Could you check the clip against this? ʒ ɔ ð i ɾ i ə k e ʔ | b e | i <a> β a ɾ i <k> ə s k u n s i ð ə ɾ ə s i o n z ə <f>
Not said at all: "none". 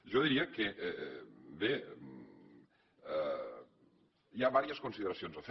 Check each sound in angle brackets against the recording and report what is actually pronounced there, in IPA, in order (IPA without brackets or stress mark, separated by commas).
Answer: a, none, f